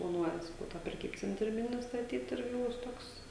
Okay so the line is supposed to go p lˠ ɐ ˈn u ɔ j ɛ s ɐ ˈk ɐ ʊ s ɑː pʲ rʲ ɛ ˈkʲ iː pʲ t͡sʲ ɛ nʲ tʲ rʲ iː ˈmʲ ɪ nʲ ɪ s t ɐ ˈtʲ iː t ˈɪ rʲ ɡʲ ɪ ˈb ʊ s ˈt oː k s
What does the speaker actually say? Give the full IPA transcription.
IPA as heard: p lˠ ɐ ˈn u ɔ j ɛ s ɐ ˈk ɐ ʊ t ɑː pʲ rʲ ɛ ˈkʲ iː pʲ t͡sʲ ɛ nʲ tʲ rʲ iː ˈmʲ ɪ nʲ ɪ s t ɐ ˈtʲ iː t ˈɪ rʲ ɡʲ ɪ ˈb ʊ s ˈt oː k s